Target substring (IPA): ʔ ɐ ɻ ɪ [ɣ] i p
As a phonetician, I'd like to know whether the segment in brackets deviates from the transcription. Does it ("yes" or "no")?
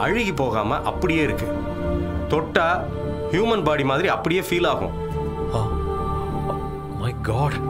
no